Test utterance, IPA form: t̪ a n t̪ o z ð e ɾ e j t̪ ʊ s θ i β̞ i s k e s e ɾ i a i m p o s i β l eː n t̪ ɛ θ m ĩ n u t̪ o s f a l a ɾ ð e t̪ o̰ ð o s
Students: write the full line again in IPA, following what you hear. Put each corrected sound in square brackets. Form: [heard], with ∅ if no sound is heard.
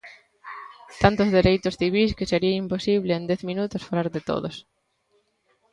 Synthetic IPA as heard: t̪ a n t̪ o z ð e ɾ e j t̪ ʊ s θ i β̞ i s k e s e ɾ i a i m p o s i β l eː n [d̪] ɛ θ m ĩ n u t̪ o s f a l a ɾ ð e t̪ o̰ ð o s